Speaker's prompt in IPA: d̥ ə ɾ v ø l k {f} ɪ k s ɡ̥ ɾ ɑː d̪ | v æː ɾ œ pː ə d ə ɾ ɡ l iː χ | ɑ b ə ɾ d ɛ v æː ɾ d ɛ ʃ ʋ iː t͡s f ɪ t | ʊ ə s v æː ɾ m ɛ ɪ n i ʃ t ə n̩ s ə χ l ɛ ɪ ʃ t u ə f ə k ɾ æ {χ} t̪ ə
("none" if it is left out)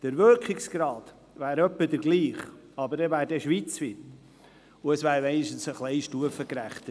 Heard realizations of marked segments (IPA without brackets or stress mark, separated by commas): χ, χ